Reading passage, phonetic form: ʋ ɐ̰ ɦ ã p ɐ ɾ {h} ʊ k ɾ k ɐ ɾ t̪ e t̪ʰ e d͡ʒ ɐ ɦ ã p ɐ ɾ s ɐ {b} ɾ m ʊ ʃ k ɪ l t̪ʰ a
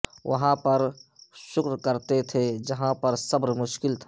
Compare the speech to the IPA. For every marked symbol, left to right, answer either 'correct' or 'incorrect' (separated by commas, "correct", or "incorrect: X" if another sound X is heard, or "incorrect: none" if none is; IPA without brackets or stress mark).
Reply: incorrect: ʃ, correct